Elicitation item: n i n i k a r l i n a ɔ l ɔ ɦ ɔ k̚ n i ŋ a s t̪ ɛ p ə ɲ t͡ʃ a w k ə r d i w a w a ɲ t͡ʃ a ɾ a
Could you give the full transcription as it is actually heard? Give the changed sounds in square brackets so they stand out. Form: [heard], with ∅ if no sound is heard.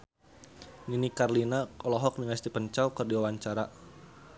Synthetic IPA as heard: n i n i k a r l i n a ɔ l ɔ ɦ ɔ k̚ n i ŋ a s t̪ [i] p ə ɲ t͡ʃ a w k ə r d i w a w a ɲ t͡ʃ a ɾ a